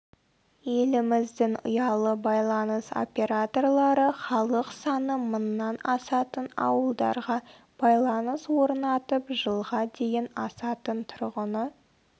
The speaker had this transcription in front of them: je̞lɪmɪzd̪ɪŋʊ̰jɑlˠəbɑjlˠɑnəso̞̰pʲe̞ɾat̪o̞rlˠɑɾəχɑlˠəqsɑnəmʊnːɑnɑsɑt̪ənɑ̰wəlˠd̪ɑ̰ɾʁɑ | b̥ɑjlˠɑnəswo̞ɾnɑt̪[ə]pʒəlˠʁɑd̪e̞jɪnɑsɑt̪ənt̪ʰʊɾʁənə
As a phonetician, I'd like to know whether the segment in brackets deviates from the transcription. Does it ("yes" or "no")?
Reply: no